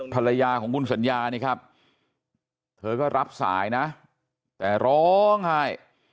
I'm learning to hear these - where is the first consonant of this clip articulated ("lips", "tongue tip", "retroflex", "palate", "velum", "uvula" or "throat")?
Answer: lips